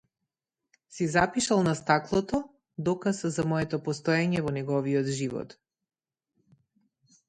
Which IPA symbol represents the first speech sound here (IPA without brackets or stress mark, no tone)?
s